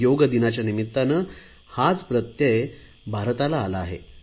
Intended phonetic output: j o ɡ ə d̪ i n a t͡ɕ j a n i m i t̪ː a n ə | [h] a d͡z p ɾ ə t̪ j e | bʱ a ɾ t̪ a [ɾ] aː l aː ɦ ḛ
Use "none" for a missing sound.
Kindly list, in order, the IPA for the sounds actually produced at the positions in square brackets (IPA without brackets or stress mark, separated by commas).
h, l